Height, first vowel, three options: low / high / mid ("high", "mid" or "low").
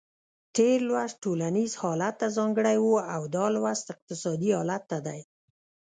mid